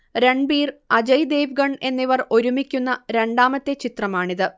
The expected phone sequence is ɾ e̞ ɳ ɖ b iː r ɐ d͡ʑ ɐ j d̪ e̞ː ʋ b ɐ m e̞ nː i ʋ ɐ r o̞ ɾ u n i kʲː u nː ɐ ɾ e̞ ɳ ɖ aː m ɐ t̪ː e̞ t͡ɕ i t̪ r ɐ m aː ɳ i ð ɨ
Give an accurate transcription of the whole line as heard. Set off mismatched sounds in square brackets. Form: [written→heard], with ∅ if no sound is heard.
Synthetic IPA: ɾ e̞ ɳ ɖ b iː r ɐ d͡ʑ ɐ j d̪ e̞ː ʋ [b→ɡ] ɐ [m→ɳ] e̞ nː i ʋ ɐ r o̞ ɾ u [n→m] i kʲː u nː ɐ ɾ e̞ ɳ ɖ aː m ɐ t̪ː e̞ t͡ɕ i t̪ r ɐ m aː ɳ i ð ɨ